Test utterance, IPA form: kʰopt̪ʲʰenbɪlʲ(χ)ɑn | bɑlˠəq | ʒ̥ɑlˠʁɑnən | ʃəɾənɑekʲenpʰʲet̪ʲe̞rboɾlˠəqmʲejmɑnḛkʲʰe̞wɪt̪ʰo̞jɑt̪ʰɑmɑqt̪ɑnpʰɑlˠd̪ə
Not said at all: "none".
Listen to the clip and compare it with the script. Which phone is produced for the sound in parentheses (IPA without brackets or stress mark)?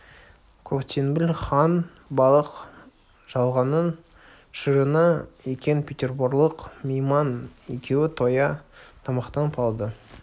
χ